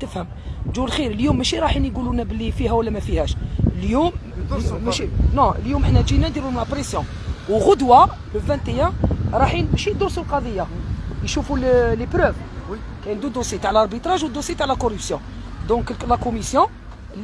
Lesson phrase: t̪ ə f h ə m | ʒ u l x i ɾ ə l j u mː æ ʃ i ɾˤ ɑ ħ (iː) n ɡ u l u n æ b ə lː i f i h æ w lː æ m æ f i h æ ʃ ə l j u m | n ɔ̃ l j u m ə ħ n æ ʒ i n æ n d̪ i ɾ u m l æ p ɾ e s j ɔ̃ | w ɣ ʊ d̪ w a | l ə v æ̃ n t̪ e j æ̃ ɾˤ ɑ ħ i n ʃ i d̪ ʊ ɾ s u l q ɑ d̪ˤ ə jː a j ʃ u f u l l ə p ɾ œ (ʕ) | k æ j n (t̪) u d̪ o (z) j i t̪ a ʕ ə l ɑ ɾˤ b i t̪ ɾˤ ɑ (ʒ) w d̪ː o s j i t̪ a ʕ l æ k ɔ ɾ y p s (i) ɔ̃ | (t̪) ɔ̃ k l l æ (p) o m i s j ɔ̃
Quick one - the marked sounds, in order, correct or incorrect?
incorrect: i, incorrect: v, incorrect: d̪, incorrect: s, correct, incorrect: j, incorrect: d̪, incorrect: k

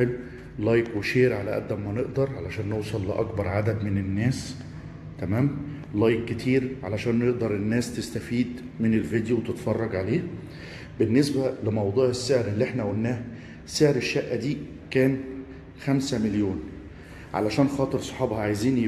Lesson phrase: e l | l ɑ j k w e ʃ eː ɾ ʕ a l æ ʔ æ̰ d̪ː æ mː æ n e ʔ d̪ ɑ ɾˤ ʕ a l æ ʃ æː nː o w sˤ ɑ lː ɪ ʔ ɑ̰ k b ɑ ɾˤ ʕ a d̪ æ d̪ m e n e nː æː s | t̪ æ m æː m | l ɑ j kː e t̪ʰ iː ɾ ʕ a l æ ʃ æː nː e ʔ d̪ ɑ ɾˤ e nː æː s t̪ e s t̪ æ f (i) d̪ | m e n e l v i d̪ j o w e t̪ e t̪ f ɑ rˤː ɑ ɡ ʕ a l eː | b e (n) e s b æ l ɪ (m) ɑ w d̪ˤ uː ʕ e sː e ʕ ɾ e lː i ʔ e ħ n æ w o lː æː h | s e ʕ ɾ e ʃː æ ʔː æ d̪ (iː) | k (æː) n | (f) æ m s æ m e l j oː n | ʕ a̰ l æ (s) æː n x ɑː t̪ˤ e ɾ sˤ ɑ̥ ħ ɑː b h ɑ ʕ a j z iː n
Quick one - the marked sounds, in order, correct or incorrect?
incorrect: iː, incorrect: nː, correct, correct, correct, incorrect: x, incorrect: ʃ

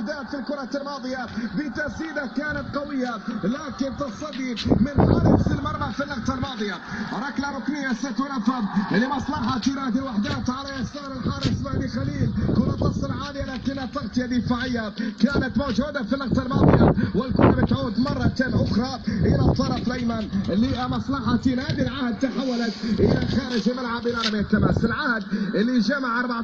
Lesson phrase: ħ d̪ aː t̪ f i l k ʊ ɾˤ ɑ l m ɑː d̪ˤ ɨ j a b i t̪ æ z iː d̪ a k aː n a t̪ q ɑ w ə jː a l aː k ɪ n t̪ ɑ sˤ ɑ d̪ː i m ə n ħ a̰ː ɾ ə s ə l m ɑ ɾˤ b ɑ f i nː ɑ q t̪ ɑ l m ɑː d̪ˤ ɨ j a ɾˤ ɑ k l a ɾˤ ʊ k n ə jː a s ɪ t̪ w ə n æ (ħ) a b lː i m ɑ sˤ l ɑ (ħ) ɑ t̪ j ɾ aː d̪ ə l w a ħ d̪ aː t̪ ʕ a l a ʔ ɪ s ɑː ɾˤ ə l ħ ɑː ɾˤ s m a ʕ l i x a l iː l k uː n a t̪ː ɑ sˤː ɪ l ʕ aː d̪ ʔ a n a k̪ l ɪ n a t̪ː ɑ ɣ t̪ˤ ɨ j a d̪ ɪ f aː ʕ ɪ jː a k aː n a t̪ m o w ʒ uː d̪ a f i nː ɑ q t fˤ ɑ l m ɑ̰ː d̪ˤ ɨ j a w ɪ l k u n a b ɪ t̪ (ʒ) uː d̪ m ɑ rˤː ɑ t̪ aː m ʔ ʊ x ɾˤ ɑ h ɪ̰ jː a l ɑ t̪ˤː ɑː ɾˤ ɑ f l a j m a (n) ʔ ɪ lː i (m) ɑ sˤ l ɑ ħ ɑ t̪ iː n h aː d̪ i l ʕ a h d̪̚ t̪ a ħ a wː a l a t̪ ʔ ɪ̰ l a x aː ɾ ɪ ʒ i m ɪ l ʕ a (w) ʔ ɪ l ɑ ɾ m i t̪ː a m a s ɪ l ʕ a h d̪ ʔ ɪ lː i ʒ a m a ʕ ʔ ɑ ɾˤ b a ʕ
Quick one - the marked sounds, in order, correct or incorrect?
incorrect: f, correct, incorrect: ʕ, correct, correct, incorrect: b

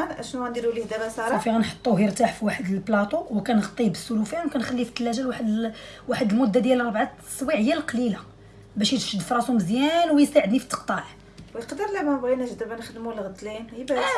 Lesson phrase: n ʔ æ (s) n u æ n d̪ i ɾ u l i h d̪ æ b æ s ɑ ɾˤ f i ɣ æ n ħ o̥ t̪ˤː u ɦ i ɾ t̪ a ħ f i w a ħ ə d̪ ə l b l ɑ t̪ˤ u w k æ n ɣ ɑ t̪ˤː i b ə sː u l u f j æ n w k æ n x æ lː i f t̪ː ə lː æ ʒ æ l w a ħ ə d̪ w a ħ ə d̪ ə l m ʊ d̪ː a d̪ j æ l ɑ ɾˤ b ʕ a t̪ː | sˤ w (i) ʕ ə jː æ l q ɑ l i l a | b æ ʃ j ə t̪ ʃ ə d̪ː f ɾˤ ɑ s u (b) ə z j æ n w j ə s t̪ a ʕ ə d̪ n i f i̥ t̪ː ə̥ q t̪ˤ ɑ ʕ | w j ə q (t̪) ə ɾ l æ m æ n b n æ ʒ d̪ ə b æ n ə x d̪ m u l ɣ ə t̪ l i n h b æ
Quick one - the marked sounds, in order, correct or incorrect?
incorrect: ʃ, correct, incorrect: m, incorrect: d̪

